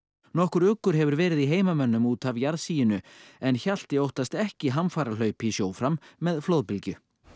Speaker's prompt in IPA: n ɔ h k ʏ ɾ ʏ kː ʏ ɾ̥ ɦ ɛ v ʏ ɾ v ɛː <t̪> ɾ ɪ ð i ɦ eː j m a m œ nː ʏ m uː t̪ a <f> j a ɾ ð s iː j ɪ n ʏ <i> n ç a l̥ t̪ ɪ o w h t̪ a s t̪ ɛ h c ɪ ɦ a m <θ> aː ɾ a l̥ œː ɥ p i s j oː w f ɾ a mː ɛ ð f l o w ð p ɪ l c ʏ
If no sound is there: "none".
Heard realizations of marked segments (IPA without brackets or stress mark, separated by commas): none, v, ɛ, f